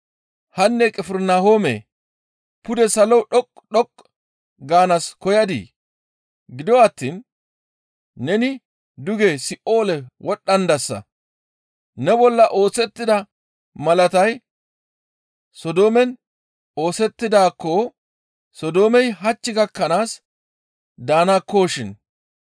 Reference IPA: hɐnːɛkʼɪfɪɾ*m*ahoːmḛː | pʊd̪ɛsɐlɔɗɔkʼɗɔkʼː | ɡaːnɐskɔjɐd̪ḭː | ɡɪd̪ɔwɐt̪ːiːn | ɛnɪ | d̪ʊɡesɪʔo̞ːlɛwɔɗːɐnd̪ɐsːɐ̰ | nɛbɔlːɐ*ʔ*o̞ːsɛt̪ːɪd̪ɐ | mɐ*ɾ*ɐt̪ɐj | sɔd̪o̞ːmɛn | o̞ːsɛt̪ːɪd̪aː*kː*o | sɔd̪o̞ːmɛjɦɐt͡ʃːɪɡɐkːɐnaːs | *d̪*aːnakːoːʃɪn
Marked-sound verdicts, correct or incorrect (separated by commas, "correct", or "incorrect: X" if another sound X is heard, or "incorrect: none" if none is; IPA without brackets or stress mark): incorrect: n, correct, incorrect: l, correct, correct